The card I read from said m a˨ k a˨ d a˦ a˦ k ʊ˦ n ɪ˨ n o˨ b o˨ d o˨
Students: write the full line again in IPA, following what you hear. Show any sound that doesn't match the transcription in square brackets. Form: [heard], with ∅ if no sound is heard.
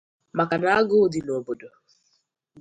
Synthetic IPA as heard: m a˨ k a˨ [n] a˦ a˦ [ɡ] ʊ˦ [d] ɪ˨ n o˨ b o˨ d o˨

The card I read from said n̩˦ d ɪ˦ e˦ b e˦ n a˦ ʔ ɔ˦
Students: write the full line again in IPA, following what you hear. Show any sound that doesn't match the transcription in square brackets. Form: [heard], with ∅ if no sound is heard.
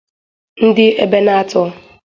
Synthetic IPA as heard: n̩˦ d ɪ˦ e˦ b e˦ n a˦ [t] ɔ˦

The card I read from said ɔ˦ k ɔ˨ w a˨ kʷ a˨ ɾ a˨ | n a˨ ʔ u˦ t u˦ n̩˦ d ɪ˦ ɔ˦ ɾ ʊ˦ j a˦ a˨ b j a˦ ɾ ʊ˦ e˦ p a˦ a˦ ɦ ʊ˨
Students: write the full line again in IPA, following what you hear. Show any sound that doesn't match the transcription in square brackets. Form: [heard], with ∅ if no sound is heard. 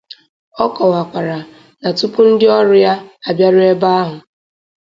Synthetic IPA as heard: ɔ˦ k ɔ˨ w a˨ kʷ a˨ ɾ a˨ | n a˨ [t] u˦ [p] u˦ n̩˦ d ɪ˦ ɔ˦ ɾ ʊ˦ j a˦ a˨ b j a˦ ɾ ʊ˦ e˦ [b] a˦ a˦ ɦ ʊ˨

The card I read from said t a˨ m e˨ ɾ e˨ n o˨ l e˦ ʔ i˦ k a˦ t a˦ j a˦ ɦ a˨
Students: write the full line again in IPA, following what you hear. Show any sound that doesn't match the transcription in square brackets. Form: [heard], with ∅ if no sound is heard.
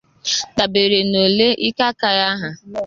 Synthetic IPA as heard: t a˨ [b] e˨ ɾ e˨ n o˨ l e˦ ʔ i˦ k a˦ [k] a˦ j a˦ ɦ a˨

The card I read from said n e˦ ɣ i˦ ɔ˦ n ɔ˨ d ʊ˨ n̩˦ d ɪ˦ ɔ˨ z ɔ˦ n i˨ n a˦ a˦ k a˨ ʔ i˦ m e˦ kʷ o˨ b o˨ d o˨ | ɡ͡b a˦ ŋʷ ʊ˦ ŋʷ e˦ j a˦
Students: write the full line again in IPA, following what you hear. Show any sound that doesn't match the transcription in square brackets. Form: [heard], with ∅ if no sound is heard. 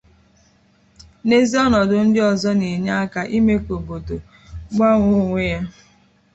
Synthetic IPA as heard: n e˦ [z] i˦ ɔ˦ n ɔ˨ d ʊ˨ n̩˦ d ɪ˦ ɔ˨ z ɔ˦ n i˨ [ɲ] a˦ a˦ k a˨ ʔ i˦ m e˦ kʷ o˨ b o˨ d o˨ | ɡ͡b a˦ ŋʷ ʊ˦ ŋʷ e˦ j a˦

